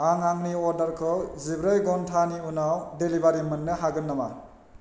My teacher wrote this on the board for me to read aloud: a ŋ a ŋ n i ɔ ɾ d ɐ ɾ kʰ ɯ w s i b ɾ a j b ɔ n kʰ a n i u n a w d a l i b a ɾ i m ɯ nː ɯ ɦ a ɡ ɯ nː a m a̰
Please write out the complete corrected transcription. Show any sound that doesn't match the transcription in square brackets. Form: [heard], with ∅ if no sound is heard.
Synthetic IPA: a ŋ a ŋ n i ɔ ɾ d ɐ ɾ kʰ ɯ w [z] i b ɾ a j [ɡ] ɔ n [tʰ] a n i u n a w d [e] l i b a ɾ i m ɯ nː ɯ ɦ a ɡ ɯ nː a m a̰